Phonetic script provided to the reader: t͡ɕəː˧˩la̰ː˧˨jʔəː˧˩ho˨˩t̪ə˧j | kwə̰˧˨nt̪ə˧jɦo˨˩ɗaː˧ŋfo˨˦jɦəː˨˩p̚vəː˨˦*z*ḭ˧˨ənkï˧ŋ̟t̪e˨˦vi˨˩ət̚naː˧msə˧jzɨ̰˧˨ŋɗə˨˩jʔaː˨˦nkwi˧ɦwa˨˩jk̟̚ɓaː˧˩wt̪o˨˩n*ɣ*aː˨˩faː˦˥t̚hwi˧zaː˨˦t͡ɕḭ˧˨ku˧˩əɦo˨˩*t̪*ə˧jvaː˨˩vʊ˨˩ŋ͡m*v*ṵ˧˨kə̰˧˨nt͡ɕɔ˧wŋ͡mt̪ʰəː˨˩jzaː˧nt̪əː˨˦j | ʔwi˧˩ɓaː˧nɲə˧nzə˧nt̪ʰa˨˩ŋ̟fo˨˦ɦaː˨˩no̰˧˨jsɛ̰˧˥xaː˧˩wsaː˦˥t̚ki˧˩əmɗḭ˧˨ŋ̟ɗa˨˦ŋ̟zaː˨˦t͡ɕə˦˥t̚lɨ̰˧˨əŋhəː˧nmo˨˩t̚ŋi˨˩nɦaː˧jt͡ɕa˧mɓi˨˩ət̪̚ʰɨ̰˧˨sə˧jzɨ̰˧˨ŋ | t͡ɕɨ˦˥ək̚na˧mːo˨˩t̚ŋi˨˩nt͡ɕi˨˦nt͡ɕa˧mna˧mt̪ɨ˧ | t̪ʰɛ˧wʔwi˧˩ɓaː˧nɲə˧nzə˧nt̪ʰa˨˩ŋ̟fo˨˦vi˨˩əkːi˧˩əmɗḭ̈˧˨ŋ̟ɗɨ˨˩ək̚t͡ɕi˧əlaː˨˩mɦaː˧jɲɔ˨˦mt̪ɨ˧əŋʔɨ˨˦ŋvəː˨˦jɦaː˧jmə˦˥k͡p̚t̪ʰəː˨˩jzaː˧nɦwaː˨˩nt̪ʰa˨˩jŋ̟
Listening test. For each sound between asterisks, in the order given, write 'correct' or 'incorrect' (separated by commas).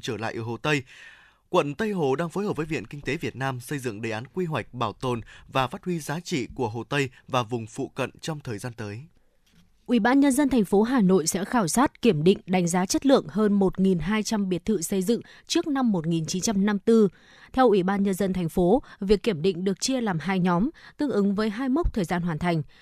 incorrect, incorrect, correct, incorrect